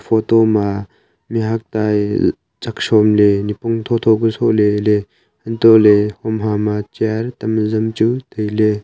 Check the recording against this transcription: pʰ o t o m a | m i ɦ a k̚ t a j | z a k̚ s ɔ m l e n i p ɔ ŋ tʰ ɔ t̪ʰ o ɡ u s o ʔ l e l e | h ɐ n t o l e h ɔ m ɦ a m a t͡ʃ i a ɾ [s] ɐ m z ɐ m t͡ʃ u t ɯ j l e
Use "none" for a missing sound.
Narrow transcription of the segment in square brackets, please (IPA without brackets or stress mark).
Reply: t